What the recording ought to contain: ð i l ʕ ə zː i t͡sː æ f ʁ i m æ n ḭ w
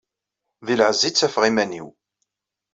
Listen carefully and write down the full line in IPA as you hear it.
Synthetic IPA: ð i l ʕ ə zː i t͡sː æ f ʁ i m æ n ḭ w